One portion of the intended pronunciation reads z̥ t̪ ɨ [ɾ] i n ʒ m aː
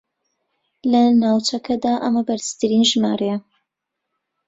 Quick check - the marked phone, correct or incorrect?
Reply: correct